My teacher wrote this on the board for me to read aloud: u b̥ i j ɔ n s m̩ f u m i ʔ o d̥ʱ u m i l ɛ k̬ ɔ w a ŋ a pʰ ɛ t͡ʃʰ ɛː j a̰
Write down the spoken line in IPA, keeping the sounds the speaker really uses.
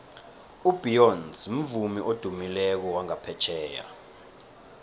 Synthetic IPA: u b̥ i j ɔ n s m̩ v u m i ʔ o d̥ʱ u m i l ɛ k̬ ɔ w a ŋ a pʰ ɛ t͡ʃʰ ɛː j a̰